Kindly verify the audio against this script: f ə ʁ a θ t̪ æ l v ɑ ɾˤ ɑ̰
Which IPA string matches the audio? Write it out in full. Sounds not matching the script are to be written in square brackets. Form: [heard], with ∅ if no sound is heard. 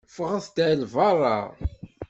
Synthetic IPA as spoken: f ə ʁ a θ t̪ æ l v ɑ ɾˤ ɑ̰